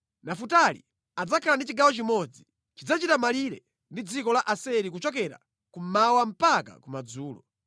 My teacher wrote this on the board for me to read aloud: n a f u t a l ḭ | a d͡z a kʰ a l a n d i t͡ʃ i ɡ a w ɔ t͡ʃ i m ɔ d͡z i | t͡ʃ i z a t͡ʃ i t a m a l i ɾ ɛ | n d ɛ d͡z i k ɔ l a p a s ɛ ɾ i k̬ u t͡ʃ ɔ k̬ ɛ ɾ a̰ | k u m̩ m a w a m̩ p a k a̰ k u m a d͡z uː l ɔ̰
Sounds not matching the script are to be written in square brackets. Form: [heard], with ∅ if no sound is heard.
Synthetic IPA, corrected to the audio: n a f u t a l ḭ | a d͡z a kʰ a l a n d i t͡ʃ i ɡ a w ɔ t͡ʃ i m ɔ d͡z i | t͡ʃ i [d͡z] a t͡ʃ i t a m a l i ɾ ɛ | n d [i] d͡z i k ɔ l a [ʔ] a s ɛ ɾ i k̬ u t͡ʃ ɔ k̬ ɛ ɾ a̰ | k u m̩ m a w a m̩ p a k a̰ k u m a d͡z uː l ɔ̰